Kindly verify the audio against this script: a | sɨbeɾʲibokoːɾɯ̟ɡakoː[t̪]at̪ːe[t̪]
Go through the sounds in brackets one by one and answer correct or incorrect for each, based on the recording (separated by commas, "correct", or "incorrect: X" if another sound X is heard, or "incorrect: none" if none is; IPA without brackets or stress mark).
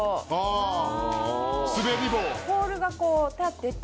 correct, correct